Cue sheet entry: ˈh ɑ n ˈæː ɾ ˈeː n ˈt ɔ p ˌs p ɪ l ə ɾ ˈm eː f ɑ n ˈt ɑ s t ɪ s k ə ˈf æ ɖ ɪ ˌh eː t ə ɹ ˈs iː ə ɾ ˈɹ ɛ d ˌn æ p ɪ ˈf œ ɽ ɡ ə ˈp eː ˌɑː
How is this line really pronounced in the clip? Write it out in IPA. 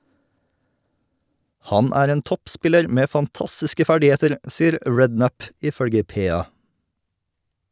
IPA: ˈh ɑ n ˈæː ɾ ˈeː n ˈt ɔ p ˌs p ɪ l ə ɾ ˈm eː f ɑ n ˈt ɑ s t ɪ s k ə ˈf æ ɖ ɪ ˌh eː t ə ɾ ˈs iː ə ɾ ˈɹ ɛ d ˌn æ p ɪ ˈf œ ɽ ɡ ə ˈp eː ˌɑː